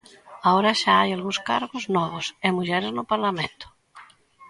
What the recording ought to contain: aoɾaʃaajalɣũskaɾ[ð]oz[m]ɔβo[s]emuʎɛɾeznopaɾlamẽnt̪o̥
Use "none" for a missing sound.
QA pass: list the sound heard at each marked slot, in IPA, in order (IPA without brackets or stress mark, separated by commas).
ɣ, n, s